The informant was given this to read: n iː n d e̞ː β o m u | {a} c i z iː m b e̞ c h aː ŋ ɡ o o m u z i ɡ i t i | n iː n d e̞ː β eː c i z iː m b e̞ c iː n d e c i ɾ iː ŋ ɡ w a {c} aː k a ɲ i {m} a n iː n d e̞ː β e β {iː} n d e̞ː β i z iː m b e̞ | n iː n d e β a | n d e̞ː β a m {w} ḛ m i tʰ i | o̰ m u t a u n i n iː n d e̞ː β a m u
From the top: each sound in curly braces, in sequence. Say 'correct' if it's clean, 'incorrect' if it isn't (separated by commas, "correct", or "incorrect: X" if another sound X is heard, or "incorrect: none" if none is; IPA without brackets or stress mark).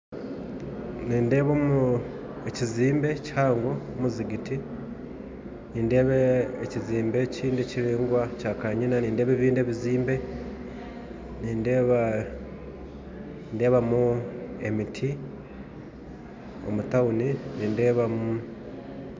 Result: incorrect: e, correct, incorrect: n, correct, incorrect: u